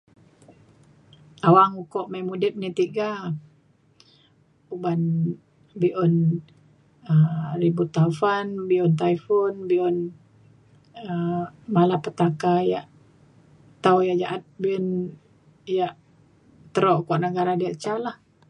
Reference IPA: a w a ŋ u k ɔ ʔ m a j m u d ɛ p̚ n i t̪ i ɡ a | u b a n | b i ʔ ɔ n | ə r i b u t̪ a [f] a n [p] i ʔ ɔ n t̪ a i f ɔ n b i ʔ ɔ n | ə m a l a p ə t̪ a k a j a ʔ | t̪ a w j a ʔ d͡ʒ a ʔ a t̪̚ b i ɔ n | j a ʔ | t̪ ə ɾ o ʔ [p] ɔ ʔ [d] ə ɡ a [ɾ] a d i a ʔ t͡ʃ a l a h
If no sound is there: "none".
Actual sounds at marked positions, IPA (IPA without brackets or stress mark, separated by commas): f, b, k, n, ɾ